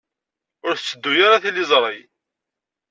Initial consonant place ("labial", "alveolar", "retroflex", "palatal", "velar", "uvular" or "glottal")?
alveolar